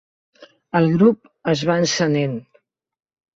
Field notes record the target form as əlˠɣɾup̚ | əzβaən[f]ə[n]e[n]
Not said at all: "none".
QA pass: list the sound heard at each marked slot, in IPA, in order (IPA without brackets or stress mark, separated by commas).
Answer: s, n, n